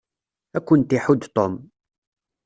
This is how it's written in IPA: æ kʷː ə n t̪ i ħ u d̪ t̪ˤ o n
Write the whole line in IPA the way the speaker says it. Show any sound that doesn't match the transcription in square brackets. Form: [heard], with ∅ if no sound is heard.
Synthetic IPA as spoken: æ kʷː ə n t̪ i ħ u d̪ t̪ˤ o [m]

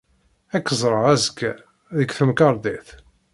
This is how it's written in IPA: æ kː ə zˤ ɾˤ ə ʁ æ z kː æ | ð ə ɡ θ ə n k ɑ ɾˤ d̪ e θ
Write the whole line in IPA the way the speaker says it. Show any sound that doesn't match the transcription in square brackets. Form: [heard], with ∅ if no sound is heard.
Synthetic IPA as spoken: æ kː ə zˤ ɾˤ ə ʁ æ z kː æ | ð ə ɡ θ ə [m] k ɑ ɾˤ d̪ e θ

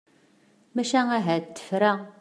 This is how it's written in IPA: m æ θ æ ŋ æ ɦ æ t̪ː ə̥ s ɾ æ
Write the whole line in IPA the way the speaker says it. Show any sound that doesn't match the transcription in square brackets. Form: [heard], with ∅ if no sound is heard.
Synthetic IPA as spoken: m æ [ʃ] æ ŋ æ ɦ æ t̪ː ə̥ [f] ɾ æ

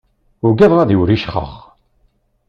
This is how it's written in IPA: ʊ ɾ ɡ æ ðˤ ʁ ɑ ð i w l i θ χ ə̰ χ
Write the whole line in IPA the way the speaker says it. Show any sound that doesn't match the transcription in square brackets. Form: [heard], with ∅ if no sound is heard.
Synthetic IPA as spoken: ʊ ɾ ɡ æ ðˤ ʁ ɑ ð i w [ɾ] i [ʃ] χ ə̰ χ

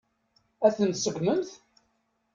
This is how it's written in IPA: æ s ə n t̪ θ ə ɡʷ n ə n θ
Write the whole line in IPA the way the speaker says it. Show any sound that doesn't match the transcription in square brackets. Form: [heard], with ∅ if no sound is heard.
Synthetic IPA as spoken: æ [θ] ə n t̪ [s] ə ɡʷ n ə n θ

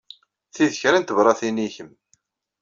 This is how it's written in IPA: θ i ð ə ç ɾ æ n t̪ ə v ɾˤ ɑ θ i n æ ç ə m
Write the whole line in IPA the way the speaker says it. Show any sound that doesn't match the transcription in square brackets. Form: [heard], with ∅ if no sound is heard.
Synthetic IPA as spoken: θ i ð ə ç ɾ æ n t̪ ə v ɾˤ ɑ θ i n [i] ç ə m

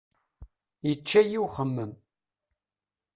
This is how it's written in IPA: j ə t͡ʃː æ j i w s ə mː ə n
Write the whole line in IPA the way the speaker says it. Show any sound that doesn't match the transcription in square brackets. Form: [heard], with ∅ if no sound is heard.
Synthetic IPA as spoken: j ə t͡ʃː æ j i w [χ] ə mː ə [m]

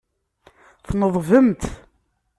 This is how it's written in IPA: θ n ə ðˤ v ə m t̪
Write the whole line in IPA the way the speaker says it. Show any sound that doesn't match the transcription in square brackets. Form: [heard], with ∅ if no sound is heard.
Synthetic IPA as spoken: θ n ə ðˤ v ə m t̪

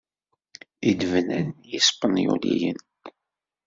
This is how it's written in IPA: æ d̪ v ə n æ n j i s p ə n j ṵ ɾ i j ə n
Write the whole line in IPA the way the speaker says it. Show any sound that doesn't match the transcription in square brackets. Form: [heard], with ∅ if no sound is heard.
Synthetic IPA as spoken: [i] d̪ v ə n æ n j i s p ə n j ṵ [l] i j ə n

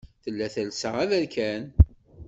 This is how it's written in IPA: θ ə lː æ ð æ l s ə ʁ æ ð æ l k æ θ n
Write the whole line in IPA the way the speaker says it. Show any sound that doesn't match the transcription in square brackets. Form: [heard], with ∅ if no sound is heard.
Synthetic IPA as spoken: θ ə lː æ [θ] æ l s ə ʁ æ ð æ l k æ [∅] n

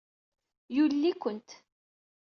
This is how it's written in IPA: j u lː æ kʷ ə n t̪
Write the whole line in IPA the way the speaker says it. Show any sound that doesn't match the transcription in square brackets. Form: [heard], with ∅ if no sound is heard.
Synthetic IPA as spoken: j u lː [i] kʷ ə n t̪

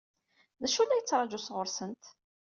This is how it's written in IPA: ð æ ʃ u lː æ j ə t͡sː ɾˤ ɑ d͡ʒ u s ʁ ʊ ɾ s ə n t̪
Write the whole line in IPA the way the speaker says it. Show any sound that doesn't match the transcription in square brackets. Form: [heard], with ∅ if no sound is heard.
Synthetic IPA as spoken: ð æ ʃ u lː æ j ə t͡sː ɾˤ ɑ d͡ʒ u s ʁ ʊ ɾ s ə n t̪

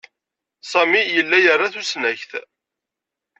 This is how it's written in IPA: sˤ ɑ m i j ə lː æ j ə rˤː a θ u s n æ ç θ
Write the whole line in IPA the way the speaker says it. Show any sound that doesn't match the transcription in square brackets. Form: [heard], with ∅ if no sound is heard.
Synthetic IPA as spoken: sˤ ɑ m i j ə lː æ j ə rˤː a θ u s n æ ç θ

